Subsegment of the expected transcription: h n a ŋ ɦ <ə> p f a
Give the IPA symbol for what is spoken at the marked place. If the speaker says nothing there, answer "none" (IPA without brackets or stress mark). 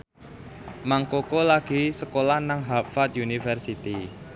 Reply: a